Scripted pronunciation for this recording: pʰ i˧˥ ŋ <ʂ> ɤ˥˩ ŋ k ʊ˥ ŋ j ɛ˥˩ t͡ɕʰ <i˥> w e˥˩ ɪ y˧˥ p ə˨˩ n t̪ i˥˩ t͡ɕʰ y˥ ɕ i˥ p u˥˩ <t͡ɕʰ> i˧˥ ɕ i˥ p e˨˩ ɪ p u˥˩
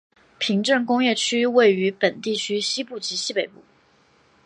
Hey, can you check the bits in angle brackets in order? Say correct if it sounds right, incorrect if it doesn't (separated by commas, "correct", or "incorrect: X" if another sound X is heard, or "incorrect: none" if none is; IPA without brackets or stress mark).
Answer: incorrect: ʈ͡ʂ, incorrect: y˥, incorrect: t͡ɕ